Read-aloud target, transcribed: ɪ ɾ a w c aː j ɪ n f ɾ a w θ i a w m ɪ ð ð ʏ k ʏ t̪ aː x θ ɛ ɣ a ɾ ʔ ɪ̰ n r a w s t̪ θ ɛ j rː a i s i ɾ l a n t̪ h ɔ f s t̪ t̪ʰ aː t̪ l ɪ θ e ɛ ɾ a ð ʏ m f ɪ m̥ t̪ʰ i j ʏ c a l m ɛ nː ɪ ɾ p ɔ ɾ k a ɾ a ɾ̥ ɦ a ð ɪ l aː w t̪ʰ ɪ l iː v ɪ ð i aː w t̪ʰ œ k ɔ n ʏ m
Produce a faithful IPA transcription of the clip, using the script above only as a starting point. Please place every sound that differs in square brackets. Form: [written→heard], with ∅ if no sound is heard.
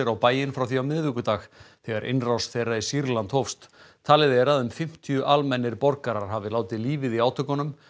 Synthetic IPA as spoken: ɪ ɾ a w [c→p] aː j ɪ n f ɾ a w θ i a w m ɪ ð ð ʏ k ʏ t̪ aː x θ ɛ ɣ a ɾ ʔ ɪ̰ n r a w s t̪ θ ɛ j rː a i s i ɾ l a n t̪ h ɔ f s t̪ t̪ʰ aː [t̪→∅] l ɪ [θ→ð] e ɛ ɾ a ð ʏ m f ɪ m̥ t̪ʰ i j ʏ [c→ʔ] a l m ɛ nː ɪ ɾ p ɔ ɾ k a ɾ a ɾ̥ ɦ a [ð→v] ɪ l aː w [t̪ʰ→t̪] ɪ l iː v ɪ ð i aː w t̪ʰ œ k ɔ n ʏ m